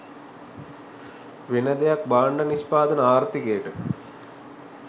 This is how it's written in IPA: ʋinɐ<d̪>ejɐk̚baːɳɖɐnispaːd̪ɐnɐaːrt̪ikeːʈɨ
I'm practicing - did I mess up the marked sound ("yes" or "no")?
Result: no